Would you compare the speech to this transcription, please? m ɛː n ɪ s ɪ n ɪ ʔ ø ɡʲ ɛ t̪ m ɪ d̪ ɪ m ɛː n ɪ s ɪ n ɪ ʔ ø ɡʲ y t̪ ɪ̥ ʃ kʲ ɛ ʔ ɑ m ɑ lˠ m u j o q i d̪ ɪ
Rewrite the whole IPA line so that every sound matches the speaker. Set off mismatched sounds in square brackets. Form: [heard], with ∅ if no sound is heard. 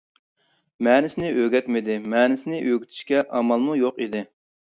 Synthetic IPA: m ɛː n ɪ s ɪ n ɪ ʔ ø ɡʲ ɛ t̪ m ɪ d̪ ɪ m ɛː n ɪ s ɪ n ɪ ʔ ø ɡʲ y [t̪ʰ] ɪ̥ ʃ kʲ ɛ ʔ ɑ m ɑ lˠ m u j o q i d̪ ɪ